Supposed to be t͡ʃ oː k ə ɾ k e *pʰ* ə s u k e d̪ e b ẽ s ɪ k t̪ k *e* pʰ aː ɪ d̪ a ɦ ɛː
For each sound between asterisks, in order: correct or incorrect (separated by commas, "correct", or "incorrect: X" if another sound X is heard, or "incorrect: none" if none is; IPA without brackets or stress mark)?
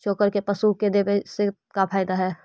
incorrect: p, incorrect: a